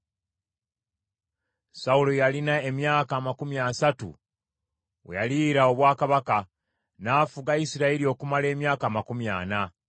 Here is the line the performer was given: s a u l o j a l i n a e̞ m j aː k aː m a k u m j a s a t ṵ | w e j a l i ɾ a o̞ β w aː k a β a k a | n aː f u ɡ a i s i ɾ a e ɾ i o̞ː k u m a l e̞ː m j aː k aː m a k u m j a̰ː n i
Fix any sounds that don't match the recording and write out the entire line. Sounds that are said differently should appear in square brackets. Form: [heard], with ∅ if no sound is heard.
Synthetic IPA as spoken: s a u l o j a l i n a e̞ m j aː k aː m a k u m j a s a t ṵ | w e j a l i ɾ a o̞ β w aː k a β a k a | n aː f u ɡ a i s i ɾ a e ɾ i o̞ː k u m a l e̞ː m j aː k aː m a k u m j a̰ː n [a]